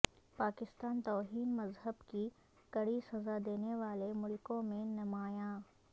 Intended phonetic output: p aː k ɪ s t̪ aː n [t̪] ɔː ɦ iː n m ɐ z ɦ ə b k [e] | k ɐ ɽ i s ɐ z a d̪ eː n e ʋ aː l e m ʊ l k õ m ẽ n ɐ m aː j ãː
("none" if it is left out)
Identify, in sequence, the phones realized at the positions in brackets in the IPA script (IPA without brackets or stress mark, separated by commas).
t̪, i